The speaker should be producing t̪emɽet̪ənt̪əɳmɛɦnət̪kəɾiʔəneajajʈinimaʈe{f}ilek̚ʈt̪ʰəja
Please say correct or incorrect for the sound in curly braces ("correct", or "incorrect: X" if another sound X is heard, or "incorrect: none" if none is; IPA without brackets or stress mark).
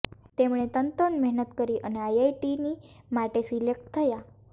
incorrect: s